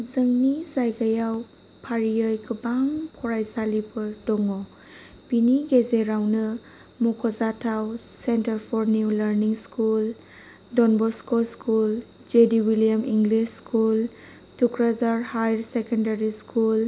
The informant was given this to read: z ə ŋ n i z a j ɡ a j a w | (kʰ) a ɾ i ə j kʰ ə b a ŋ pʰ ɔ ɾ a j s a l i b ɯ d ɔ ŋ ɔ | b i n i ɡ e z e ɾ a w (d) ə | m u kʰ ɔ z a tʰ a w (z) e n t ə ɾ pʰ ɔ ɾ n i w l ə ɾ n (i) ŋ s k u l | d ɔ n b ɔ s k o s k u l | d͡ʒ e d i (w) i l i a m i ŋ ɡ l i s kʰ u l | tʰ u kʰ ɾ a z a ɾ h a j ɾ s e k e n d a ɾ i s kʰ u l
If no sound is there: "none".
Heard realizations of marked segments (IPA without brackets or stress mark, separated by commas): pʰ, n, s, i, w